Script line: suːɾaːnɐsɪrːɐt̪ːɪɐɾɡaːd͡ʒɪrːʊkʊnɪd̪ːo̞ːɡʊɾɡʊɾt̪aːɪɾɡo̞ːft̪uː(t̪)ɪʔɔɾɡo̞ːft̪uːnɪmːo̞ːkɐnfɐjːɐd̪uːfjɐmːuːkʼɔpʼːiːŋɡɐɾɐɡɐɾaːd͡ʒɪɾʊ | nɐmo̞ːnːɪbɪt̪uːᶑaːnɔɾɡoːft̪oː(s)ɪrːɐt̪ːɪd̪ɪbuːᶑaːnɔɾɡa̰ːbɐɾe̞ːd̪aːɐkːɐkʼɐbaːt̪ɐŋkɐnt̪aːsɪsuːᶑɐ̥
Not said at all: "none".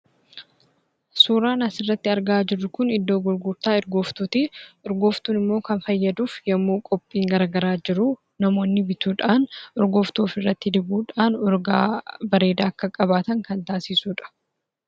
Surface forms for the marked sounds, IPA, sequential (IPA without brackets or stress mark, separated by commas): t̪, f